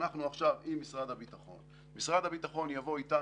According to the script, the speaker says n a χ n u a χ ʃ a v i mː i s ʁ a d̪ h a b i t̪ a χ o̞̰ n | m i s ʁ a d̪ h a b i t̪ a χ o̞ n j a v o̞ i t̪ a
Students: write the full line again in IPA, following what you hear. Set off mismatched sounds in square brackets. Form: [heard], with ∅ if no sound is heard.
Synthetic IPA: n a χ n u a χ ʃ a v i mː i s ʁ a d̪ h a b i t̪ a χ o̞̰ n | m i s ʁ a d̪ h a b i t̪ a χ o̞ n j a v o̞ i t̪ a